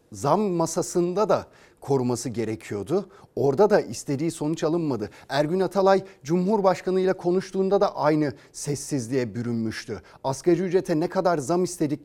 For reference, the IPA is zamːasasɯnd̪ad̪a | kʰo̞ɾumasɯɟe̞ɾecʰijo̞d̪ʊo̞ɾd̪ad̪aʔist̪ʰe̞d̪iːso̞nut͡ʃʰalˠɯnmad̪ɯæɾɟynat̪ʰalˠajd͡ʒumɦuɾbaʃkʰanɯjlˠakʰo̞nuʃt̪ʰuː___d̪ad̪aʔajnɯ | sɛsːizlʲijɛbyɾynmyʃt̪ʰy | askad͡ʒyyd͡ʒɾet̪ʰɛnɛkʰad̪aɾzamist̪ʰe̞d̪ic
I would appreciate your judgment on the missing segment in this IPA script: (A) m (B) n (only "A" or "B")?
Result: B